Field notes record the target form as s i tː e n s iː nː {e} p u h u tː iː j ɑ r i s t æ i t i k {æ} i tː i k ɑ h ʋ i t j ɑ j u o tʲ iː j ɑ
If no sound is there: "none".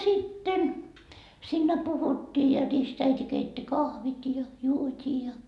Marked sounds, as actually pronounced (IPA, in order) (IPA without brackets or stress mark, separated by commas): æ, e